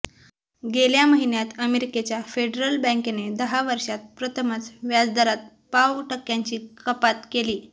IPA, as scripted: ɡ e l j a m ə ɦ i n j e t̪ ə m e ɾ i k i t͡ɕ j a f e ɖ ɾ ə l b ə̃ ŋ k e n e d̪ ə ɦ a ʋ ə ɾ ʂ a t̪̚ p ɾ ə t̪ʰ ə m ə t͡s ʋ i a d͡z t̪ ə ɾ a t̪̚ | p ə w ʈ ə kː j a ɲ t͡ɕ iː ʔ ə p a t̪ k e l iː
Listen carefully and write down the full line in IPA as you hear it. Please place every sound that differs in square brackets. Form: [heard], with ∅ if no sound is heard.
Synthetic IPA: ɡ e l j a m ə ɦ i n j [a] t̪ ə m e ɾ i k [e] t͡ɕ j a f e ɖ ɾ ə l b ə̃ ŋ k e n e d̪ ə ɦ a ʋ ə ɾ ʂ a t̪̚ p ɾ ə t̪ʰ ə m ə t͡s ʋ [j] a d͡z [d̪] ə ɾ a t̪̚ | p [a] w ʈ ə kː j a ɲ t͡ɕ iː [k] ə p a t̪ k e l iː